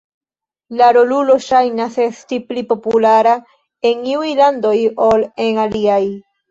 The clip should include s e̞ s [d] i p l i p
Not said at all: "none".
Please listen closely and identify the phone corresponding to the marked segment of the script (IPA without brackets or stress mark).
t